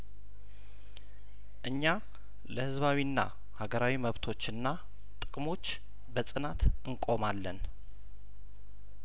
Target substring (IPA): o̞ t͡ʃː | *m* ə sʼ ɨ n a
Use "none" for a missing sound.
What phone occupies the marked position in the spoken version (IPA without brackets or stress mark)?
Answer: b